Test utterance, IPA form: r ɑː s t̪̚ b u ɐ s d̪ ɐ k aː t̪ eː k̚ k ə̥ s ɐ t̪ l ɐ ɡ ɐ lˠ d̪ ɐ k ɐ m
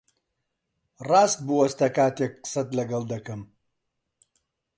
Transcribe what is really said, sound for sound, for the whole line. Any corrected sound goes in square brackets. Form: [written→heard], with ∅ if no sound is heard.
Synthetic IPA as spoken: r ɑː s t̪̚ b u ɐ s [d̪→t̪] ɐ k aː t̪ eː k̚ [k→q] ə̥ s ɐ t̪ l ɐ ɡ ɐ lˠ d̪ ɐ k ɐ m